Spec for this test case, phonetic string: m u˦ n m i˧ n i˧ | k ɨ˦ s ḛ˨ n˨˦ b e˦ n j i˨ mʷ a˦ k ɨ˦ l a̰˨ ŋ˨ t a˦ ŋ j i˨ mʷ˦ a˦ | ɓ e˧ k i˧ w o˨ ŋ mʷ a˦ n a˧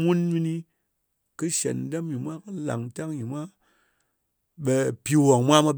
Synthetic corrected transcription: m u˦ n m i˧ n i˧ | k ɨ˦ ʃ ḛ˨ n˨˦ d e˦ m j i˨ mʷ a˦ k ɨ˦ l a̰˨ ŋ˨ t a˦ ŋ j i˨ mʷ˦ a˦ | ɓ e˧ p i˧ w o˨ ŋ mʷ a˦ m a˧